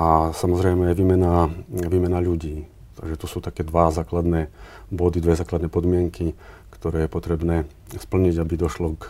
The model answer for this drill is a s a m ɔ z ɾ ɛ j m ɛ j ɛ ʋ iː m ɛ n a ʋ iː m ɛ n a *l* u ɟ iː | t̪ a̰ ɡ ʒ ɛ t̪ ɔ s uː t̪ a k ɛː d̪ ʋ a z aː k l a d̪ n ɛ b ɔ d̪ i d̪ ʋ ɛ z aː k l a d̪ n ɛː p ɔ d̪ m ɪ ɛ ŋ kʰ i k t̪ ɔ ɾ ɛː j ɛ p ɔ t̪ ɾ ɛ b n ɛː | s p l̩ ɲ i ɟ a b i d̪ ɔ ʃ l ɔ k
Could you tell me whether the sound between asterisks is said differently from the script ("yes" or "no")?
yes